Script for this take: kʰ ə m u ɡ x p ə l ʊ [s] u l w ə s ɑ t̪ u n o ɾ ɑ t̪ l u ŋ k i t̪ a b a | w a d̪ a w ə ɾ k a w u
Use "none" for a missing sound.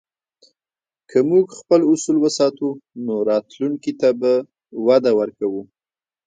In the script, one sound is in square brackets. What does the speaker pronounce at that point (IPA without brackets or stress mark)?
s